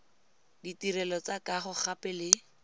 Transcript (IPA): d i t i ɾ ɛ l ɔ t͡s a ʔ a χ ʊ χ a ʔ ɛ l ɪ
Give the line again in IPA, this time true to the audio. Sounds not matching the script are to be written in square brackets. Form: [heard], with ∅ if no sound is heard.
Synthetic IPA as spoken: d i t i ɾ ɛ l ɔ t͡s a [k] a χ ʊ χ a [p] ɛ l ɪ